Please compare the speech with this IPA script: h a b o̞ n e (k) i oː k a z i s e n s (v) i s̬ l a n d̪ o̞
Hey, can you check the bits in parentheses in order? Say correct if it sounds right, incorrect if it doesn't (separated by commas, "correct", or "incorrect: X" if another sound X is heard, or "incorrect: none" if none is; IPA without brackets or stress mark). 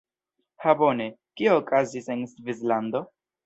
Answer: correct, correct